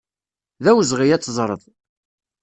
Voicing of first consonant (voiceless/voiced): voiced